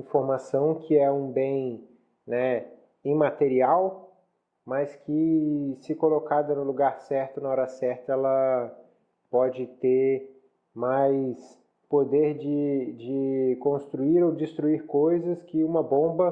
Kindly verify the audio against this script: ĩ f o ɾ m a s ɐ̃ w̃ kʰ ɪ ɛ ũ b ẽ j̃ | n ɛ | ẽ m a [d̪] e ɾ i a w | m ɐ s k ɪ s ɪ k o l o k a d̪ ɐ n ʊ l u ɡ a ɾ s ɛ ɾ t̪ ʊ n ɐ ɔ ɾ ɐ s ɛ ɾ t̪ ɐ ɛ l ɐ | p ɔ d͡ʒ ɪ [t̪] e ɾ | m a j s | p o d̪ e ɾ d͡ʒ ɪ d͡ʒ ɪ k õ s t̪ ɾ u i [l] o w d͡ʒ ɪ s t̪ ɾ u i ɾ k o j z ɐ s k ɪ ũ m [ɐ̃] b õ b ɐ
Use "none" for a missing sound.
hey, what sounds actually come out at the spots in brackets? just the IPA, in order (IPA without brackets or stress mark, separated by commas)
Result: t̪, t̪, ɾ, ɐ